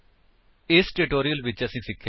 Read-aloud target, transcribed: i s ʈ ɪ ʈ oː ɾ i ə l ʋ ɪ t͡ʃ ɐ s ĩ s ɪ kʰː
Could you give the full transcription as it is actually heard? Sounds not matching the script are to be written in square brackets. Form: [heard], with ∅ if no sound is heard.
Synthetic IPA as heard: [ɪ] s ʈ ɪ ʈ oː ɾ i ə l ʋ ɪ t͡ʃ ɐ s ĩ s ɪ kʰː